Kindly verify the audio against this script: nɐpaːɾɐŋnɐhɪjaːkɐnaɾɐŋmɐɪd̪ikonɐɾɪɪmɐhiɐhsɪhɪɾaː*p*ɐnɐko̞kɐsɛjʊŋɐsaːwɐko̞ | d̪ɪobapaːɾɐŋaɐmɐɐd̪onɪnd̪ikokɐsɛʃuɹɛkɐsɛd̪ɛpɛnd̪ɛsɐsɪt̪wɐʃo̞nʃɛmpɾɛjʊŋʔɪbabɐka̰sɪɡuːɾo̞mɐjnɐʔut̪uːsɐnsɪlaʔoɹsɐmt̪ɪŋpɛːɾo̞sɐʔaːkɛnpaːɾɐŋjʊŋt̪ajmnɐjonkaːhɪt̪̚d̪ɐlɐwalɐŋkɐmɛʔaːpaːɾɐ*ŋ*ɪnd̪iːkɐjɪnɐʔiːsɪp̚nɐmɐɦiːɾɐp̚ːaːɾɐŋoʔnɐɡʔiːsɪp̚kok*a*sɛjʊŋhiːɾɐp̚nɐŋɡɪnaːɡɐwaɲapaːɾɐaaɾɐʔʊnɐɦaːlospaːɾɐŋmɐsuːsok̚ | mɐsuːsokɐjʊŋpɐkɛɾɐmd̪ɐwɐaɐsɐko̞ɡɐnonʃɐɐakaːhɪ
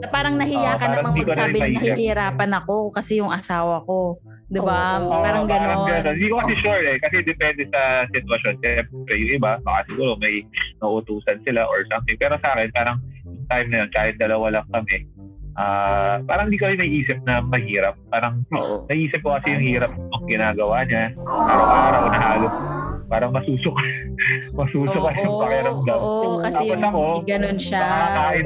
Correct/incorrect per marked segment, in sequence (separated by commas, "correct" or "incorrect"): correct, correct, incorrect